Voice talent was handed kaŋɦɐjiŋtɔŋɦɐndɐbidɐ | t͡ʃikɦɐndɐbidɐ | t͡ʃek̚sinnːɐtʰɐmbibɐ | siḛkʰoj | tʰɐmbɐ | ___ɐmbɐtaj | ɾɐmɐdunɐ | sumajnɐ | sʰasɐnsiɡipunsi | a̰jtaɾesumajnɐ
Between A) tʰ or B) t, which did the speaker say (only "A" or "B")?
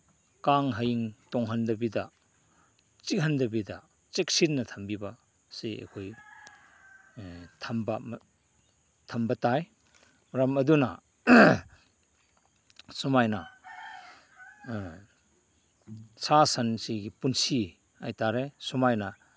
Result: A